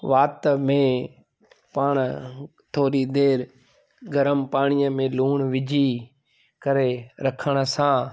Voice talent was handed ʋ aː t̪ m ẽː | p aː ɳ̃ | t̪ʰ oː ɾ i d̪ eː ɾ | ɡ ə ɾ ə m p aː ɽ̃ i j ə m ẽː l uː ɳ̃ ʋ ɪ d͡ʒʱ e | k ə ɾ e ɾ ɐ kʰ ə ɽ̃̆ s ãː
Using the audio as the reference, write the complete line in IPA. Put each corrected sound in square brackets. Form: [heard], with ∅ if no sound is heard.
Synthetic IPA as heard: ʋ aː t̪ m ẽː | p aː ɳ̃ | t̪ʰ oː ɾ i d̪ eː ɾ | ɡ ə ɾ ə m p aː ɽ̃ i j ə m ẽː l uː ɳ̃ ʋ ɪ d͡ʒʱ [i] | k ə ɾ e ɾ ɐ kʰ ə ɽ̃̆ s ãː